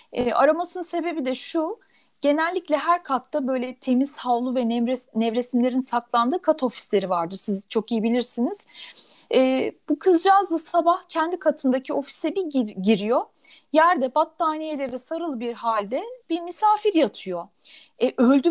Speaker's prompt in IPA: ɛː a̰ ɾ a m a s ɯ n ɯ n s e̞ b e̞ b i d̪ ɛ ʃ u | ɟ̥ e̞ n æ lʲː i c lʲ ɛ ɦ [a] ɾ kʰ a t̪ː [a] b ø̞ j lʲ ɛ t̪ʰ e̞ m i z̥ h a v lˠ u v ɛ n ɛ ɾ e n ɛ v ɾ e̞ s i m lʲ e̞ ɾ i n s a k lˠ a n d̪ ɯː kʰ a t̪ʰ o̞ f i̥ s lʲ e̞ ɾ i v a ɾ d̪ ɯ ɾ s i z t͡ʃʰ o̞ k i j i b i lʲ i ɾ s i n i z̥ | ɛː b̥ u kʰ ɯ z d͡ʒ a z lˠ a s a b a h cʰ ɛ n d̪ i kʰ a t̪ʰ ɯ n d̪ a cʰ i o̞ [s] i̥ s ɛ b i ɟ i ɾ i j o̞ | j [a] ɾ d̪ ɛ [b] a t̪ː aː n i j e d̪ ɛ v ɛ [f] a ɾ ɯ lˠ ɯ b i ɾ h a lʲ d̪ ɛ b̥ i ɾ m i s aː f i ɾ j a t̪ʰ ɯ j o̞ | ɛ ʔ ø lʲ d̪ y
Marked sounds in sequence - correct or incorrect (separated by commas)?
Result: incorrect, correct, incorrect, incorrect, correct, incorrect